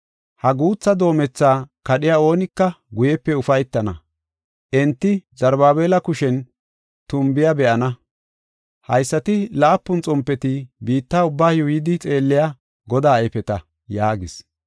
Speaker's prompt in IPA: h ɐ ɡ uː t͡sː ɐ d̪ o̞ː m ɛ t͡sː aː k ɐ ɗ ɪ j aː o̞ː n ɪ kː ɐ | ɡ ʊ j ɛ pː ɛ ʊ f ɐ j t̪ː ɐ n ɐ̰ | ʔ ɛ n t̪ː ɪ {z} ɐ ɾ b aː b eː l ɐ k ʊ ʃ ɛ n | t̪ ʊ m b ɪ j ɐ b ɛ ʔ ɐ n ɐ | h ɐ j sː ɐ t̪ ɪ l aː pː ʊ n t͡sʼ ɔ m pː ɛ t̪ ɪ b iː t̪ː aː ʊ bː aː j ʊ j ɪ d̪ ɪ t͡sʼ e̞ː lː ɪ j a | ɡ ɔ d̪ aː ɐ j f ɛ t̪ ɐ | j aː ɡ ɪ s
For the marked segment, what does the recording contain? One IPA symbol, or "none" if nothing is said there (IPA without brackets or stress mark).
z